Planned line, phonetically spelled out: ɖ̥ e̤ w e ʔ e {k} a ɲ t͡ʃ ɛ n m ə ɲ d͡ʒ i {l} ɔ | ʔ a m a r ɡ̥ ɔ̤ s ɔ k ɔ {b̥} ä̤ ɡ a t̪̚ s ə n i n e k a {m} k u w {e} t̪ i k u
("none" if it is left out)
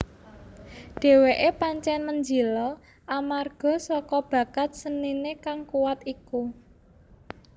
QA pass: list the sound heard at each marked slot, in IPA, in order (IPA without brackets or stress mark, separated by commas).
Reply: p, l, b̥, ŋ, a